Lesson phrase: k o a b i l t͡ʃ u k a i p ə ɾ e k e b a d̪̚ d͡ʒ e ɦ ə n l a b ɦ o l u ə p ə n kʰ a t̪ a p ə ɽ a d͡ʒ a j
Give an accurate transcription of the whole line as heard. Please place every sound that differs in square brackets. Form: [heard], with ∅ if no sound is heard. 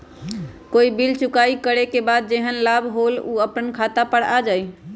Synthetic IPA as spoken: k o [i] b i l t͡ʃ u k a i [k] ə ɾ e k e b a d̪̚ d͡ʒ e ɦ ə n l a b ɦ o l u ə p ə n kʰ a t̪ a p ə ɽ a d͡ʒ a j